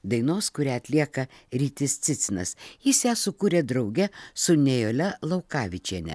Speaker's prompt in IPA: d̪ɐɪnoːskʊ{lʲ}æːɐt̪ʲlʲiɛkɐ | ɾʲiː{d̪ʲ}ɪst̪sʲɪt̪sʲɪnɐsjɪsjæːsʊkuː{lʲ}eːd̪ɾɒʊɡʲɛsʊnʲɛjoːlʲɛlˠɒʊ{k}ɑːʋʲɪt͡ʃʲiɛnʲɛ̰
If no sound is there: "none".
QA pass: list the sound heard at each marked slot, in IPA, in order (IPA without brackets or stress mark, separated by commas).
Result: ɾʲ, t̪ʲ, ɾʲ, k